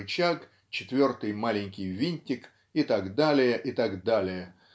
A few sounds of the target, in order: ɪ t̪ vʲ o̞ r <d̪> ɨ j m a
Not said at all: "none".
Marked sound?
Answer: t̪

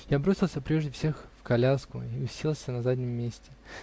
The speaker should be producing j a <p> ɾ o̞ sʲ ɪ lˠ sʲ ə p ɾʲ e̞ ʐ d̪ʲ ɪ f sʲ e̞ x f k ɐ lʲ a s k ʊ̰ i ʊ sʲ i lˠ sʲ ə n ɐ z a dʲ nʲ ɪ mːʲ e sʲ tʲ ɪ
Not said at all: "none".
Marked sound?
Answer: b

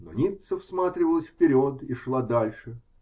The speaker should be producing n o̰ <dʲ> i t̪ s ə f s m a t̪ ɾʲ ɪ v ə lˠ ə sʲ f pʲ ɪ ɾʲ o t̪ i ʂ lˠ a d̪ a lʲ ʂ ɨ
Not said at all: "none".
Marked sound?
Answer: nʲ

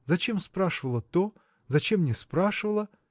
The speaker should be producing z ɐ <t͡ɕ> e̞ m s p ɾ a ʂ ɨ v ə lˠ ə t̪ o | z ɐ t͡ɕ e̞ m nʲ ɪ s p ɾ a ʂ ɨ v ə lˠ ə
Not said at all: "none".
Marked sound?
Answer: t͡ɕ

